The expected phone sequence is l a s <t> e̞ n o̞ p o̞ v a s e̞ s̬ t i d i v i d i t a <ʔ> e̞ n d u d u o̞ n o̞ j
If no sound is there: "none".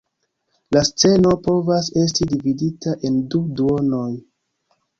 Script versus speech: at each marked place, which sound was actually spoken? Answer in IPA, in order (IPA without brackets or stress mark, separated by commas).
t͡s, ʔ